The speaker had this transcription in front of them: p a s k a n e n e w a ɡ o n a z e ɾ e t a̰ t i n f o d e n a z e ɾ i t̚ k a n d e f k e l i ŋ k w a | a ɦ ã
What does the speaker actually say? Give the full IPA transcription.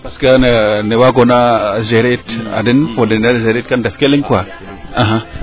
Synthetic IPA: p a s k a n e n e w a ɡ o n a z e ɾ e t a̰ d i n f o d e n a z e ɾ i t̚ k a n d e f k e l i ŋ k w a | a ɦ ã